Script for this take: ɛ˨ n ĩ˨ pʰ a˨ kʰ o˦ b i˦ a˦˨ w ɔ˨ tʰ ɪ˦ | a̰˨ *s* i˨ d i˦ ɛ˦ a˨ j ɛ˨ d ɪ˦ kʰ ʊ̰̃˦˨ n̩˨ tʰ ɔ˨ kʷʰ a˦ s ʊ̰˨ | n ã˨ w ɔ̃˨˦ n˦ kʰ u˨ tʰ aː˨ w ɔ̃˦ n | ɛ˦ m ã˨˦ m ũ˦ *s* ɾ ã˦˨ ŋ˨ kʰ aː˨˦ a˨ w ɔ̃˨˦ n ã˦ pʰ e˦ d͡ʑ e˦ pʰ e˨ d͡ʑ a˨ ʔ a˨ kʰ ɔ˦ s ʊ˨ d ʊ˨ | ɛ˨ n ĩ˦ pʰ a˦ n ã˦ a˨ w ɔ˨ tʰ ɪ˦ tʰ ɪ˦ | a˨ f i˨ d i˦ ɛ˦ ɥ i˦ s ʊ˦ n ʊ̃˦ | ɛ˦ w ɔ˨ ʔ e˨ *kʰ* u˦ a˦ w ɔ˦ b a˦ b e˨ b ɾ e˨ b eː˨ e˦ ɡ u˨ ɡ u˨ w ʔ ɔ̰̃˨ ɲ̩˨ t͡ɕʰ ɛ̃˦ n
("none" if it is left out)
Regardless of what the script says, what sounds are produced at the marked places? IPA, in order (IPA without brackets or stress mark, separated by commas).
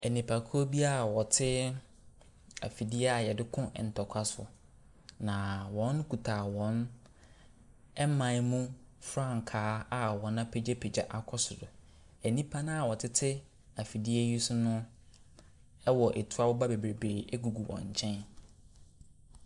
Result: f, f, tʰ